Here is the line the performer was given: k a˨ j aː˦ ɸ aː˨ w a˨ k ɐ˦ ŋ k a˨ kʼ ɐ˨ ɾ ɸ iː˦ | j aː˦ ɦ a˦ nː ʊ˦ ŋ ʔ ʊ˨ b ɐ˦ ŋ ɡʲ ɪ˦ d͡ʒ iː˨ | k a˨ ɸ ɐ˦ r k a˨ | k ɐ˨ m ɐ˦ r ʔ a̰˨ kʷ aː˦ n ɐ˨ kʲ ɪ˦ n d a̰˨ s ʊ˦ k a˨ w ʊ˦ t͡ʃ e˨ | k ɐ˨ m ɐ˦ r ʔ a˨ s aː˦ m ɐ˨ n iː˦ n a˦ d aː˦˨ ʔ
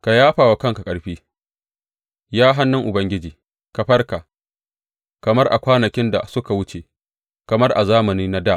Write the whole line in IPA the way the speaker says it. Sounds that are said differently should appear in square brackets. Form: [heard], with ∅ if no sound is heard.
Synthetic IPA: k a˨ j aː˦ ɸ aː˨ w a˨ k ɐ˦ ŋ k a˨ kʼ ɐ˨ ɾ ɸ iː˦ | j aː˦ ɦ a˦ nː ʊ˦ ŋ ʔ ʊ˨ b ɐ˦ ŋ ɡʲ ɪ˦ d͡ʒ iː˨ | k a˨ ɸ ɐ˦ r k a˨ | k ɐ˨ m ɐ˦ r ʔ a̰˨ kʷ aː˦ n ɐ˨ kʲ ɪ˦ n d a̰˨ s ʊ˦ k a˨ w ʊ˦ t͡ʃ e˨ | k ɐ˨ m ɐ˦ r ʔ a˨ [z] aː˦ m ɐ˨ n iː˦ n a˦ d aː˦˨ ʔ